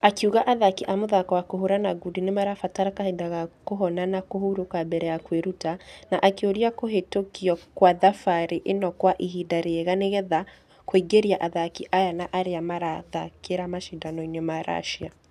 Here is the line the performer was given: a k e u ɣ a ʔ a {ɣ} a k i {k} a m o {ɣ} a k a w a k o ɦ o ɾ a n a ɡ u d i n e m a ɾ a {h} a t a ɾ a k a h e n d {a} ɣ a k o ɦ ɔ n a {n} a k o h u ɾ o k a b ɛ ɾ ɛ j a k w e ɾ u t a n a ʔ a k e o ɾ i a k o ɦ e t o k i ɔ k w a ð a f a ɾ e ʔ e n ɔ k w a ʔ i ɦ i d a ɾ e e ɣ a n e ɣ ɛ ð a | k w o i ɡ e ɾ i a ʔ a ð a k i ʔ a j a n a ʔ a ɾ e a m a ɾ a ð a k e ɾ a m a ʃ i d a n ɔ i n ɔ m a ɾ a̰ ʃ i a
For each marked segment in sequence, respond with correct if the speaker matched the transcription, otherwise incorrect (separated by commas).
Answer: incorrect, incorrect, incorrect, incorrect, correct, correct